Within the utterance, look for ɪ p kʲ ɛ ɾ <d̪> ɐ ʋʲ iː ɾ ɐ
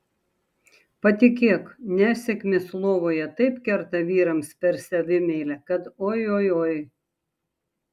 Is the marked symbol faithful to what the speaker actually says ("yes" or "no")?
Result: no